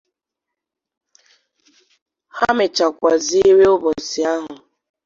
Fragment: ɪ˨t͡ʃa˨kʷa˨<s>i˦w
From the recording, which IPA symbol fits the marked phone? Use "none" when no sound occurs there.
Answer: z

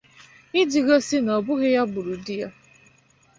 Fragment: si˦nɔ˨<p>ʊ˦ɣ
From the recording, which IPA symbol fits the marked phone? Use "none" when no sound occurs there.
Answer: b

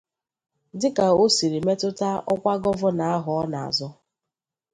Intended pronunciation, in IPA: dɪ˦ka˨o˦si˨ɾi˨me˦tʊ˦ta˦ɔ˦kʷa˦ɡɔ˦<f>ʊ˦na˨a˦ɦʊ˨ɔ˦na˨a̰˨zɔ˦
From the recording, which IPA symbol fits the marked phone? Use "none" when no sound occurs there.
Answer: v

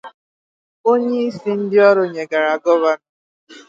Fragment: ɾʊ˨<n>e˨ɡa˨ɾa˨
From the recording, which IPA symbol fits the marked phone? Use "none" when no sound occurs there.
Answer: ɲ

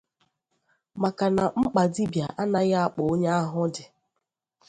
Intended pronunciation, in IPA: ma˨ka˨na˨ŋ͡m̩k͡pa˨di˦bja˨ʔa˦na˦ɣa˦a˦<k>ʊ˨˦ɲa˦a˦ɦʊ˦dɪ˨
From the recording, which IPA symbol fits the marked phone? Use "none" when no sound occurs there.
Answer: k͡p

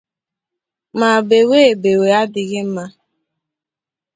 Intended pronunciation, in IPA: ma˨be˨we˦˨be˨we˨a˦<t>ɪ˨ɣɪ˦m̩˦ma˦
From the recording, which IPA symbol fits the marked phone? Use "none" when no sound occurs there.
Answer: d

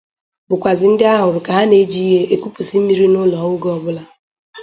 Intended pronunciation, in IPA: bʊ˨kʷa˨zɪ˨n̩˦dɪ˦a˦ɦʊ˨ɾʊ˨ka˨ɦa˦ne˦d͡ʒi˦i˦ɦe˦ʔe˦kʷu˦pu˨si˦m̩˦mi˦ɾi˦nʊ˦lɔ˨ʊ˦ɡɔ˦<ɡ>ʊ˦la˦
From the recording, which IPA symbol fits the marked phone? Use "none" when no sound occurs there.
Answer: b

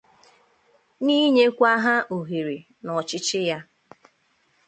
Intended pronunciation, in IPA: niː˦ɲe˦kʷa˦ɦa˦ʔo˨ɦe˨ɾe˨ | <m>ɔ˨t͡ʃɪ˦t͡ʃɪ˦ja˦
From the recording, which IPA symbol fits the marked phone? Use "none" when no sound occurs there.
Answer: n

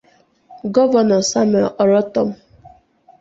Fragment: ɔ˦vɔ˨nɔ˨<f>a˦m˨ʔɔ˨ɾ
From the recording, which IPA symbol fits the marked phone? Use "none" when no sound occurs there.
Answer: s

